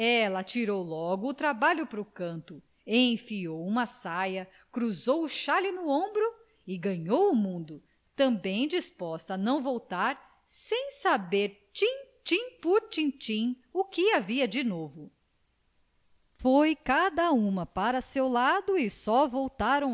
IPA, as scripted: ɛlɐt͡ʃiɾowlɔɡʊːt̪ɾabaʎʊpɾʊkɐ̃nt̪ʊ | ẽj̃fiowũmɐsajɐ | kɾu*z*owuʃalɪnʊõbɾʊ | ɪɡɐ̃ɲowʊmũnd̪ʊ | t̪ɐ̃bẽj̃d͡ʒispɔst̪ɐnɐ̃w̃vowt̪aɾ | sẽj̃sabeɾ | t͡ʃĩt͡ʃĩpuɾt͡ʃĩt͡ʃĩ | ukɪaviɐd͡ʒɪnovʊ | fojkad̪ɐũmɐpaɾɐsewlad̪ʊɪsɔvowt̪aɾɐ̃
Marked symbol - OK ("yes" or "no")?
yes